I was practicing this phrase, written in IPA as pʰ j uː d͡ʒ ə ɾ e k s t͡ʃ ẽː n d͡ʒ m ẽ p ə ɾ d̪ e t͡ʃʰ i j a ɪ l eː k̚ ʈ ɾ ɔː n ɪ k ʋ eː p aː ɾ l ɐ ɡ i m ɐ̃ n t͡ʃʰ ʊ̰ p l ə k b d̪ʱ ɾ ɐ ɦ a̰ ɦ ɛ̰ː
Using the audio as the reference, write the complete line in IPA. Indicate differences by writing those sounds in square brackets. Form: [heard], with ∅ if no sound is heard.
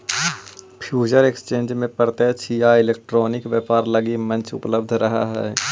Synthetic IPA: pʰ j uː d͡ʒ ə ɾ e k s t͡ʃ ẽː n d͡ʒ m ẽ p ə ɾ [t̪] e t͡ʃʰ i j a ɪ l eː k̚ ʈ ɾ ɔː n ɪ k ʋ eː p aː ɾ l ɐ ɡ i m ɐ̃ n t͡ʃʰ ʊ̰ p l ə [∅] b d̪ʱ ɾ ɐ ɦ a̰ ɦ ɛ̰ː

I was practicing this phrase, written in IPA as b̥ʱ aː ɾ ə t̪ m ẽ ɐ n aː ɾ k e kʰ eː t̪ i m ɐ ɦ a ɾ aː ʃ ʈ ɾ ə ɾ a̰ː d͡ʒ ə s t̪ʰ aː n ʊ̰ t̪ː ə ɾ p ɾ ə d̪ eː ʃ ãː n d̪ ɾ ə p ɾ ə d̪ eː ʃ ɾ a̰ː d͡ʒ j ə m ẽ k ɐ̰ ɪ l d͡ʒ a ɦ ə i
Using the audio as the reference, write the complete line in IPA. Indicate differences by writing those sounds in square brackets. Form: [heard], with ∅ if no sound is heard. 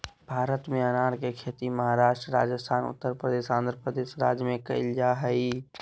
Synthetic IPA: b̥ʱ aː ɾ ə t̪ m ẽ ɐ n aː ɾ k e kʰ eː t̪ i m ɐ ɦ a ɾ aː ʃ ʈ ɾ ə ɾ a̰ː d͡ʒ ə s t̪ʰ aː n ʊ̰ t̪ː ə ɾ p ɾ ə d̪ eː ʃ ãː n d̪ ɾ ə p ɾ ə d̪ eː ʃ ɾ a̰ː d͡ʒ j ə m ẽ k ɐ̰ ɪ l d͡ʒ a ɦ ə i

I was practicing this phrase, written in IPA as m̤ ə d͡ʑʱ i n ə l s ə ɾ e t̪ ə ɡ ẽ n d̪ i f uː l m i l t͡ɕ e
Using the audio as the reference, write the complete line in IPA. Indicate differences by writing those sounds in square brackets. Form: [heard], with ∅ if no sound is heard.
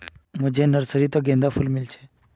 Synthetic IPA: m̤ ə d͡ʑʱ [e] n ə [ɾ] s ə ɾ [i] t̪ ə ɡ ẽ n d̪ [a] f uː l m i l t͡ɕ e

